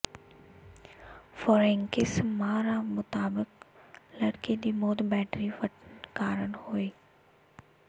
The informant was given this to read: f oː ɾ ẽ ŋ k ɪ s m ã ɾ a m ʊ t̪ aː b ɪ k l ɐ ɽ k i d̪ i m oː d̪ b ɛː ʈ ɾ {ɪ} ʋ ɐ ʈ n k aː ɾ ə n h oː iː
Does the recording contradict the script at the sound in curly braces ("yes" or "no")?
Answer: yes